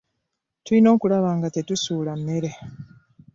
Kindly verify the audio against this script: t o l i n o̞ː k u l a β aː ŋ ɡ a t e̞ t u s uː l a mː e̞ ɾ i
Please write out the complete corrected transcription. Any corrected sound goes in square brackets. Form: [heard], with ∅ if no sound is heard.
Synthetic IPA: t [u] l i n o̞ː k u l a β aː ŋ ɡ a t e̞ t u s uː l a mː e̞ ɾ [e]